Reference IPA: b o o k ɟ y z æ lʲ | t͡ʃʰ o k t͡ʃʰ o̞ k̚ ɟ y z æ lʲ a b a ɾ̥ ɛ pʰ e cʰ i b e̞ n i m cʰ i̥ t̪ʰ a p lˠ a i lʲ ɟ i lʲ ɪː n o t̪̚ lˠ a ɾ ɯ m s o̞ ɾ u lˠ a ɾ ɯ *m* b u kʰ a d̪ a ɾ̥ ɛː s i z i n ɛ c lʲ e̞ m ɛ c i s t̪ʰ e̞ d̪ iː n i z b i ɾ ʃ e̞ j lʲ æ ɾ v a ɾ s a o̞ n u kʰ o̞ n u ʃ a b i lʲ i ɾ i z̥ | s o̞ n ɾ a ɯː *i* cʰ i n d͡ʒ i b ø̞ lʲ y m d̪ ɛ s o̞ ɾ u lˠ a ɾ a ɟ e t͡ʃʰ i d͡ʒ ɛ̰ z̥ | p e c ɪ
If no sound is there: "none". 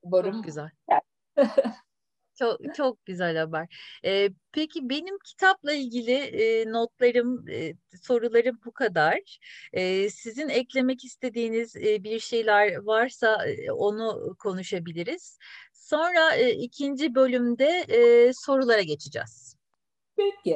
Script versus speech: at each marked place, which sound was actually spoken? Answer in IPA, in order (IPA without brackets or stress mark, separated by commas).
m, i